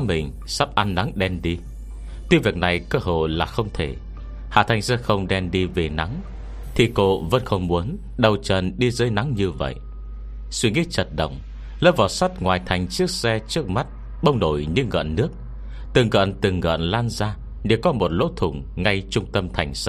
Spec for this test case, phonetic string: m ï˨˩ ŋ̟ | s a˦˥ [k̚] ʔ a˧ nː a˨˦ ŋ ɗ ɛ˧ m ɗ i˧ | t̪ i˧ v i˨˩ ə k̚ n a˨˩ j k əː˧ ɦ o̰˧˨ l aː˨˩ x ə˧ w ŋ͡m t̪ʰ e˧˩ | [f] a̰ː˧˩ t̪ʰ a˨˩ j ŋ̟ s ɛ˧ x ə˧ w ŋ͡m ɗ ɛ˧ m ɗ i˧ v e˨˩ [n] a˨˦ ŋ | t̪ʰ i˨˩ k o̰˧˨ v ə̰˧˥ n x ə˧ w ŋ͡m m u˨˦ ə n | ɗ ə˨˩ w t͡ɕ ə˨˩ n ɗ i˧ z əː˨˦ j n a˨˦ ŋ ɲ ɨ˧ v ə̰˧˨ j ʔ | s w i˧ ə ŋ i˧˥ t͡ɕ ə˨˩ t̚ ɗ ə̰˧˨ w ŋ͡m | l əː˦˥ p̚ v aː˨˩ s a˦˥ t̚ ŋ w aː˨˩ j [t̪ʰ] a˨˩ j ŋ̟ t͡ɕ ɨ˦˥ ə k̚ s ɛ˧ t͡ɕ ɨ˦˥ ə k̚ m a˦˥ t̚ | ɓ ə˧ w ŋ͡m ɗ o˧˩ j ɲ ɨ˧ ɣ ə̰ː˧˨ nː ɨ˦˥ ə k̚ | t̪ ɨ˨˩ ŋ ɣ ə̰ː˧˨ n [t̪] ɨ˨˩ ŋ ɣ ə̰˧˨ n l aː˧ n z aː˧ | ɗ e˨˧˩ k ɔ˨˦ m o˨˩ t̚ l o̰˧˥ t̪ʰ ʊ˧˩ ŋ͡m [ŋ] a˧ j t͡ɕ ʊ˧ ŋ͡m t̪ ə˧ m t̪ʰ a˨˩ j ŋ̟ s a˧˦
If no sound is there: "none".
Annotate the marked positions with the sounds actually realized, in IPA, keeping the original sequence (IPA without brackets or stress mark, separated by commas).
p̚, h, n, t̪ʰ, t̪, ŋ